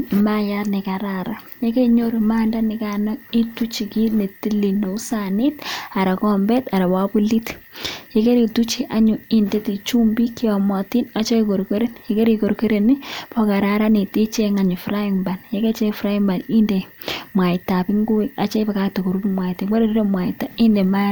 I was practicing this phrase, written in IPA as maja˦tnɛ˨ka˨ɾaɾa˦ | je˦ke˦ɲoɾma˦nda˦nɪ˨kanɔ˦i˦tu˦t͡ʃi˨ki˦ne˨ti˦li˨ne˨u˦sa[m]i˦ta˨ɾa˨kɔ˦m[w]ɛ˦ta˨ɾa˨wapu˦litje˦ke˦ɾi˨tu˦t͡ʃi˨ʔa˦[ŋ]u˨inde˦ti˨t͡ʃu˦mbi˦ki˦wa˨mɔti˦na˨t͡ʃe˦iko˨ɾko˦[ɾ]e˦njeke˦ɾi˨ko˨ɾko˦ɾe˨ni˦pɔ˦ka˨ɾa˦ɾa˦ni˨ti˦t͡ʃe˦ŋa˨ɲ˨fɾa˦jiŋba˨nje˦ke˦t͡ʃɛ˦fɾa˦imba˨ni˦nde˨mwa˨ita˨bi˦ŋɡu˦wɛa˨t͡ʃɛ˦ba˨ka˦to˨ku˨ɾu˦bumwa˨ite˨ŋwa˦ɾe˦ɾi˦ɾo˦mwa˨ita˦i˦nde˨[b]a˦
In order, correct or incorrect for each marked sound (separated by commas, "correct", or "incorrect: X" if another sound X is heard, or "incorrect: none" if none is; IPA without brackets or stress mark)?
incorrect: n, incorrect: b, incorrect: ɲ, correct, incorrect: m